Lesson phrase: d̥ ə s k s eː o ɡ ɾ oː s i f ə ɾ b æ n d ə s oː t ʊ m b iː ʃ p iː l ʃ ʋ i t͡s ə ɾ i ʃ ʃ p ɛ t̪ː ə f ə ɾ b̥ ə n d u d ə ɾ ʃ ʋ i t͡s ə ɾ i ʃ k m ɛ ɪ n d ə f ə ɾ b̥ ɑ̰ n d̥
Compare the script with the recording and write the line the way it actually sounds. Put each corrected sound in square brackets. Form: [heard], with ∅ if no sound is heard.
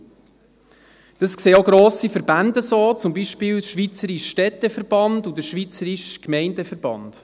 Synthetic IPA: d̥ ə s k s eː o ɡ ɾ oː s i f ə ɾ b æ n d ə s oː [t͡s] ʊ m b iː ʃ p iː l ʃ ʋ i t͡s ə ɾ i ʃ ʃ [t] ɛ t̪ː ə f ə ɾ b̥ [ɑ] n d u d ə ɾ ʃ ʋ i t͡s ə ɾ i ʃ k m ɛ ɪ n d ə f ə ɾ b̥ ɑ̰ n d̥

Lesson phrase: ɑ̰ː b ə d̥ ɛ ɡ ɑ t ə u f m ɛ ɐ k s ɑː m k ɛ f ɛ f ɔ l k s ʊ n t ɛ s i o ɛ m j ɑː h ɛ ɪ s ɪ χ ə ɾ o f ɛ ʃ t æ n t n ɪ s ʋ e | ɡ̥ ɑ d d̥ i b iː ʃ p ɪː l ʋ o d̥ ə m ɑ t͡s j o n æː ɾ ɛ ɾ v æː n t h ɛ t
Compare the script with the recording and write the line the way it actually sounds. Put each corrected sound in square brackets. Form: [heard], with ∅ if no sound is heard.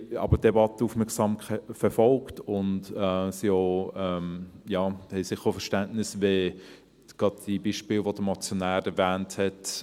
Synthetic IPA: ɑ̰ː b ə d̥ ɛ [b] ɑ t ə u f m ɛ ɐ k s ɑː m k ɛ f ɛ f ɔ l k [t] ʊ n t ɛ s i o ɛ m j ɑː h ɛ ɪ s ɪ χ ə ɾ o f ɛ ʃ t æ n t n ɪ s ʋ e | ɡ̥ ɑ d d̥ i b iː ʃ p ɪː l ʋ o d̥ ə m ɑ t͡s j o n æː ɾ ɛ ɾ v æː n t h ɛ t

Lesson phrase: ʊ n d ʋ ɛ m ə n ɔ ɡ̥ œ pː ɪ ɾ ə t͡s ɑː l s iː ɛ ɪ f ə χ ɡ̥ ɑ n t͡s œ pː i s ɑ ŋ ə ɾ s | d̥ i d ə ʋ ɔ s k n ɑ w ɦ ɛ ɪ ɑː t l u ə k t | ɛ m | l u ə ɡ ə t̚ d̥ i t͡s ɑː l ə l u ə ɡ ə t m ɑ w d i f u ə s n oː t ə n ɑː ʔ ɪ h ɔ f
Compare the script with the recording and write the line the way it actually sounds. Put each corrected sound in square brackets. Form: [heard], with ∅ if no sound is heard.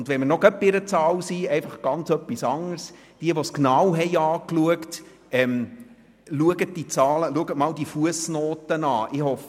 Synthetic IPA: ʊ n d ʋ ɛ m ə n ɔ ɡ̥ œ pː ɪ ɾ ə t͡s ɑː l s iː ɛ ɪ f [ɑ] χ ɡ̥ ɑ n t͡s œ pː i s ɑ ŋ ə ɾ s | d̥ i [∅] ə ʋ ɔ s k n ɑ w ɦ ɛ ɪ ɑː [k] l u ə k t | ɛ m | l u ə ɡ ə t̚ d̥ i t͡s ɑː l ə l u ə ɡ ə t m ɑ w d i f u ə s n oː t ə n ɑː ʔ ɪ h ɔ f

